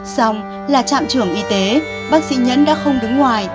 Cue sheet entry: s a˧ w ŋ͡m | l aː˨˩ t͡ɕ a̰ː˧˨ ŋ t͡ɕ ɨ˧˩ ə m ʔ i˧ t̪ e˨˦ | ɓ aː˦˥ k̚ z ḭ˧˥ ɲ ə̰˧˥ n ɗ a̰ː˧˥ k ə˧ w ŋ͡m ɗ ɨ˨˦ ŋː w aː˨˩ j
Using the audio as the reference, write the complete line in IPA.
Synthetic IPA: s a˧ w ŋ͡m | l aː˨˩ t͡ɕ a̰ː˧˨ m t͡ɕ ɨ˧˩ ə ŋ ʔ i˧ t̪ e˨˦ | ɓ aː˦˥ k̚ s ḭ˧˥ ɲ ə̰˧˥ n ɗ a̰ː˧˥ x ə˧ w ŋ͡m ɗ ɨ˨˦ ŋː w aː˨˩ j